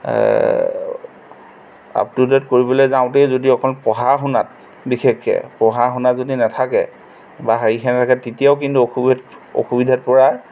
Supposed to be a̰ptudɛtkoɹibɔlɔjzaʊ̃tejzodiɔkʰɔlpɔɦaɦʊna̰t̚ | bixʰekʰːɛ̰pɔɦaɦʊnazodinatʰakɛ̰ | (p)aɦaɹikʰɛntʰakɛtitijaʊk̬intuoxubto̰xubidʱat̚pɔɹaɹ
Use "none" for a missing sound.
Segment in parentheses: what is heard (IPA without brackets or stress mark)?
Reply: b